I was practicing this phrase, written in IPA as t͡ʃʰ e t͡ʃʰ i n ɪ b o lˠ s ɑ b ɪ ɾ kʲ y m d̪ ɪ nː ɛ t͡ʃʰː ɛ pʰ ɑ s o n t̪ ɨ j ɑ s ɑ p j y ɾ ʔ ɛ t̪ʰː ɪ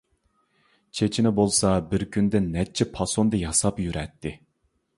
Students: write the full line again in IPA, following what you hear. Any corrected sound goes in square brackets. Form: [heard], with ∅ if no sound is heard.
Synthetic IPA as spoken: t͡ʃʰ e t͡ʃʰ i n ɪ b o lˠ s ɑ b ɪ ɾ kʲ y [n] d̪ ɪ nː ɛ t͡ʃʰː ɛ pʰ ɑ s o n [d̪] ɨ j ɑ s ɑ p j y ɾ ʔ ɛ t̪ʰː ɪ